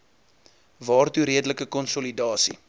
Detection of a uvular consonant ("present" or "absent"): absent